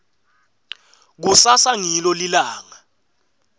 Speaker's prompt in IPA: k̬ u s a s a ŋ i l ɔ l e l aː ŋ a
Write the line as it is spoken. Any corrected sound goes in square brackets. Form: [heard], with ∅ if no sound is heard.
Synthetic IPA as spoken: k̬ u s a s a ŋ i l ɔ l [i] l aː ŋ a